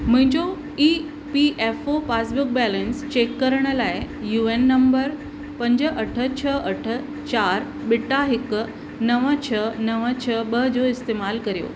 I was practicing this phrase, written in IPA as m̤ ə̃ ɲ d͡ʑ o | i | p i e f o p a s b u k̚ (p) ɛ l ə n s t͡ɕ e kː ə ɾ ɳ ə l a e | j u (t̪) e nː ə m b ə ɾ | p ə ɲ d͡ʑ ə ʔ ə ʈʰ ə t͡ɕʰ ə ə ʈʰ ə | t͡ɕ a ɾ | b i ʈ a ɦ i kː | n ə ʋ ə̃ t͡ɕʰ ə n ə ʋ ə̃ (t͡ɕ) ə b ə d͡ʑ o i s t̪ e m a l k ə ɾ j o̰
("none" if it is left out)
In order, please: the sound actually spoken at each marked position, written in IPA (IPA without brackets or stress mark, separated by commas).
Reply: b, none, t͡ɕʰ